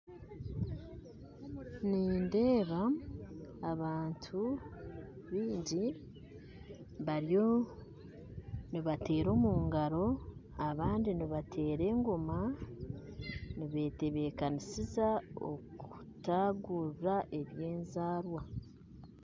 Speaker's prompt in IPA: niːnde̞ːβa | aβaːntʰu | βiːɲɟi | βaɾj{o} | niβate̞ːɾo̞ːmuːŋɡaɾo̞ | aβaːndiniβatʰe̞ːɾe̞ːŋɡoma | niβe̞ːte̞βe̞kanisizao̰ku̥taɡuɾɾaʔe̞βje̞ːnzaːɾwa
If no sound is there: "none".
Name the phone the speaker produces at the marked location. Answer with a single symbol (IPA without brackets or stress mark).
o